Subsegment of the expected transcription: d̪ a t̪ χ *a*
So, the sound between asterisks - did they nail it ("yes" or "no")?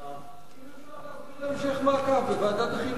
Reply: no